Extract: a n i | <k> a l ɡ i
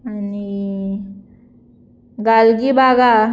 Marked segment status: incorrect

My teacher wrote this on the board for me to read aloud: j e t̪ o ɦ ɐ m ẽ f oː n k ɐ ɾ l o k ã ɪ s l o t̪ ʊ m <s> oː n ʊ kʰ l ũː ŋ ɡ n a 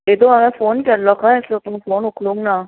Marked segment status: incorrect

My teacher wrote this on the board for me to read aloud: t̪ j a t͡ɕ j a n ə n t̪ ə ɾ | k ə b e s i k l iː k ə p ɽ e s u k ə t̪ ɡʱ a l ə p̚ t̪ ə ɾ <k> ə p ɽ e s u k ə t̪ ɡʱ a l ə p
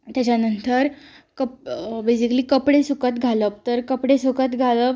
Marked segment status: correct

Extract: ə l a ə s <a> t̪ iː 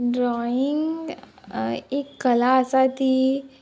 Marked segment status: correct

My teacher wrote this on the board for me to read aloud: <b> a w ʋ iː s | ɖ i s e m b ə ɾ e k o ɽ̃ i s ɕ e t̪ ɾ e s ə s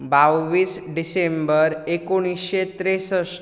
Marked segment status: correct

